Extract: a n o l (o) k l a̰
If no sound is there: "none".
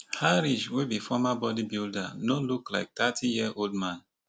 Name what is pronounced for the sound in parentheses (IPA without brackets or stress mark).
u